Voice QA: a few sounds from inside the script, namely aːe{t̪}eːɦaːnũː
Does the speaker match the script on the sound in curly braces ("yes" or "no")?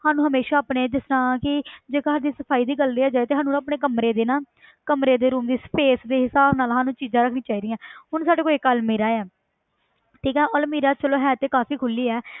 yes